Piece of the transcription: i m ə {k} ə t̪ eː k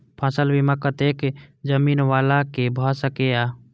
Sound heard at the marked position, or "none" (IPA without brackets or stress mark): k